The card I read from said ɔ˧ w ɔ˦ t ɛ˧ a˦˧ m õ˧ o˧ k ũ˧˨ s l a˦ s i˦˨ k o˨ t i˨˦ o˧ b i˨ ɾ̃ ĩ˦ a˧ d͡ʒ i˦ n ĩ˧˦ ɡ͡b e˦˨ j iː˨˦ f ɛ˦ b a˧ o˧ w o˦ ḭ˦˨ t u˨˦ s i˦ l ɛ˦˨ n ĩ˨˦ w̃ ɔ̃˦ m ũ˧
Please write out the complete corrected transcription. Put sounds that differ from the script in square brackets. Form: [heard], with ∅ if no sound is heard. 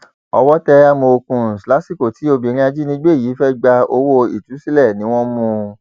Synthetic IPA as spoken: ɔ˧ w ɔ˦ t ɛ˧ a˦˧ m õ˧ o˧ k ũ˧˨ s l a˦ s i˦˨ k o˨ t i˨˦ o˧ b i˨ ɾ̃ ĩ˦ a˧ d͡ʒ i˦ n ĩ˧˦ ɡ͡b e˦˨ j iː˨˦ f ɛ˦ [ɡ͡b] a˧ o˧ w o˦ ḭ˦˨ t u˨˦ s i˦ l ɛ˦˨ n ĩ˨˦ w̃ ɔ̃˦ m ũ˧